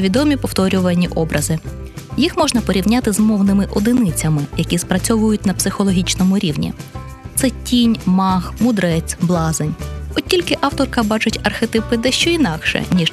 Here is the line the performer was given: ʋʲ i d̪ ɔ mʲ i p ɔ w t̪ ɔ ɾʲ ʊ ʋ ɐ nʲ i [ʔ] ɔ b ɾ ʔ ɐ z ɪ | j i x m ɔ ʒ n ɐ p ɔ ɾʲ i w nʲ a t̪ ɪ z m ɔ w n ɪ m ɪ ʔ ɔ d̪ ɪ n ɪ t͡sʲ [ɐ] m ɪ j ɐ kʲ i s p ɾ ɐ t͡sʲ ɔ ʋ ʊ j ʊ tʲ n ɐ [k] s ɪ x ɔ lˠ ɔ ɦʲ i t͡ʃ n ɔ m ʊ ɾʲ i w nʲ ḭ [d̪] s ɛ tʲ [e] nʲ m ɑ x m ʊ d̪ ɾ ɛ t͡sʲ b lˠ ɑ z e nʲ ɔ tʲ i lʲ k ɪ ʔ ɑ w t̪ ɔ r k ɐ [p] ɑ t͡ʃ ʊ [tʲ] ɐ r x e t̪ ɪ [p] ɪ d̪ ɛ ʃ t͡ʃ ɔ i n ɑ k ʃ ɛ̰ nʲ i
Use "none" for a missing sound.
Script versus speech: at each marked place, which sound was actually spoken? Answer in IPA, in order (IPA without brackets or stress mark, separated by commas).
ʔ, ɐ, p, t̪, i, b, tʲ, p